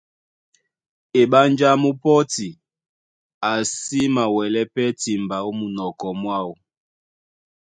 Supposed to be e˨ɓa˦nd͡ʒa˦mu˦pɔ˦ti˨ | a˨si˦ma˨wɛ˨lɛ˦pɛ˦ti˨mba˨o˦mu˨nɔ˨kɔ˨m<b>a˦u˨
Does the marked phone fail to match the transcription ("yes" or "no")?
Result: yes